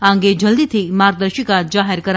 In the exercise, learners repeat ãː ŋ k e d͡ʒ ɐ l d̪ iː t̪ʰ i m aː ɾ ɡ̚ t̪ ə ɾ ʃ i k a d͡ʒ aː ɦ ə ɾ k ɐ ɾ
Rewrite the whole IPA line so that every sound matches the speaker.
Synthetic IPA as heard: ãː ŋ ɡ e d͡ʒ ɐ l d̪ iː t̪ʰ i m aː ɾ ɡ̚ d̪ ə ɾ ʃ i k a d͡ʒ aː ɦ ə ɾ k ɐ ɾ

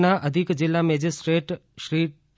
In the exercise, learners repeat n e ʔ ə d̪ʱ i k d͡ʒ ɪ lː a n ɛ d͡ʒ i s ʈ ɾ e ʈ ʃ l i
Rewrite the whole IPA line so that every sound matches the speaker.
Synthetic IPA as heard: n a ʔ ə d̪ʱ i k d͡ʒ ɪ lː a m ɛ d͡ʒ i s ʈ ɾ e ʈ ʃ ɾ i

